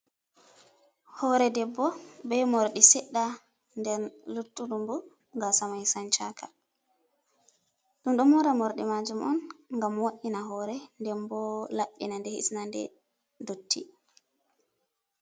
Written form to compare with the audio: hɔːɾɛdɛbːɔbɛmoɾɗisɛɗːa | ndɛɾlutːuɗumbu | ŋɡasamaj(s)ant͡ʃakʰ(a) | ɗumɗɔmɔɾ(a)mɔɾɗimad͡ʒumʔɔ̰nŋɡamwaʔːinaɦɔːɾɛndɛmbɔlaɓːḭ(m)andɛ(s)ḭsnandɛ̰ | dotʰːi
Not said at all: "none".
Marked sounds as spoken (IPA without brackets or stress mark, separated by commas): s, a, a, n, h